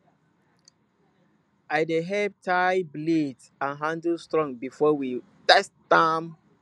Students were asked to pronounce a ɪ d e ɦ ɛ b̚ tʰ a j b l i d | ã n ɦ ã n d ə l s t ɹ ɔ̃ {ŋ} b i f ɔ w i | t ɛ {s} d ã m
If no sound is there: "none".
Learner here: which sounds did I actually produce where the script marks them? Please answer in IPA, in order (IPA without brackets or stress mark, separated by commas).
ŋ, s